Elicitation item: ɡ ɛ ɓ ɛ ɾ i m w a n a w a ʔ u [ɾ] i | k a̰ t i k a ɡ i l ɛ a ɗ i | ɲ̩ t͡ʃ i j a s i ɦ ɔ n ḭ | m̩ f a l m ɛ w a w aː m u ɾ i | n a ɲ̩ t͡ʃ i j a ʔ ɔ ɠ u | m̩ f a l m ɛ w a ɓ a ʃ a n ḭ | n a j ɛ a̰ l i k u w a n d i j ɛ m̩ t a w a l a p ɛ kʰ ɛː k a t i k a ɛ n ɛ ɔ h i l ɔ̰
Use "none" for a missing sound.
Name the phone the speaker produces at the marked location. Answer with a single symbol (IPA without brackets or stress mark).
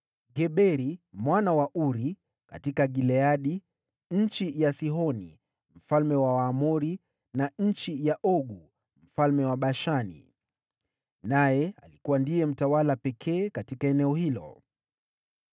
ɾ